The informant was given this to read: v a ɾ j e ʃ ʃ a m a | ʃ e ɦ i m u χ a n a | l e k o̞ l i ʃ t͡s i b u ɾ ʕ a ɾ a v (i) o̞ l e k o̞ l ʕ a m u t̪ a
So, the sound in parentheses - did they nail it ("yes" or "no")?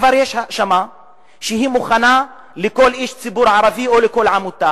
yes